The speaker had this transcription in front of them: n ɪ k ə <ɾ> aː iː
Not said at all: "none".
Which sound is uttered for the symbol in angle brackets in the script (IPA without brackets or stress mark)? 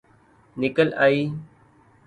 l